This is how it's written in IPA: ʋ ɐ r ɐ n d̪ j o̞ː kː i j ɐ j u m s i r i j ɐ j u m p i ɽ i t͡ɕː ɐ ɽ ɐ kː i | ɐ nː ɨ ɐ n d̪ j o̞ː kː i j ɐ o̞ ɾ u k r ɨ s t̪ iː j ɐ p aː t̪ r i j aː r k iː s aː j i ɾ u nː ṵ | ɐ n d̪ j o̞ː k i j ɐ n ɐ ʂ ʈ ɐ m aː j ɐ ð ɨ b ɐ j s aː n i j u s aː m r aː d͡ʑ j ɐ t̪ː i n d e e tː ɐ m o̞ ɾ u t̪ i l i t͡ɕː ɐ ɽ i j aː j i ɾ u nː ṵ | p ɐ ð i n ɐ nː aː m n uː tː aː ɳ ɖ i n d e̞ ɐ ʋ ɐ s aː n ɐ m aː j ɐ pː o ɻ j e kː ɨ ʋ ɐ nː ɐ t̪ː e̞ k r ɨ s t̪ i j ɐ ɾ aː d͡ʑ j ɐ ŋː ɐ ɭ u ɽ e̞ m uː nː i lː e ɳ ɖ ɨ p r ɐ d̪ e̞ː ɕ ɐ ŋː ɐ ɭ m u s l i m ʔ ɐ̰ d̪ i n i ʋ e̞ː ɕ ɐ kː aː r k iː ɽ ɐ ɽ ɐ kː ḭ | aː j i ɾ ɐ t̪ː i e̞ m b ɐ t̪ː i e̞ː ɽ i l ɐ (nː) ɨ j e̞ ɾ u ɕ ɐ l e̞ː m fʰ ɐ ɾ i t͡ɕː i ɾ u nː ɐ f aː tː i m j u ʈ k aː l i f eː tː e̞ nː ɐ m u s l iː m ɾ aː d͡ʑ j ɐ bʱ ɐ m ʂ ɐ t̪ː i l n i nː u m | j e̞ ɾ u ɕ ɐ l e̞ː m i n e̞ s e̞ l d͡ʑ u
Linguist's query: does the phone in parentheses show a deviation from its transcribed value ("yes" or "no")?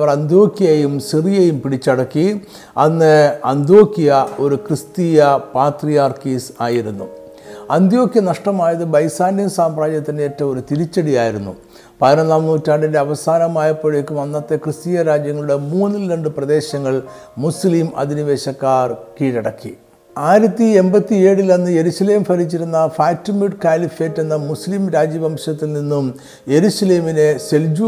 no